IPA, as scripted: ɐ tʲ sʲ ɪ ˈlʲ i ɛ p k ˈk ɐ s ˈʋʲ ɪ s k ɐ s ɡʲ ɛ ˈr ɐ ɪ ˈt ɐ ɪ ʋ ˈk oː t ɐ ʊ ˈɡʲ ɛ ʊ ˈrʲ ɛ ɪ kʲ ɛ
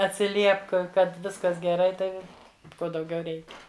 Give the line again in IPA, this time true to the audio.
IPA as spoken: ɐ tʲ sʲ ɪ ˈlʲ i ɛ p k ˈk ɐ t ˈʋʲ ɪ s k ɐ s ɡʲ ɛ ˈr ɐ ɪ ˈt ɐ ɪ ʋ ˈk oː d ɐ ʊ ˈɡʲ ɛ ʊ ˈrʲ ɛ ɪ kʲ ɛ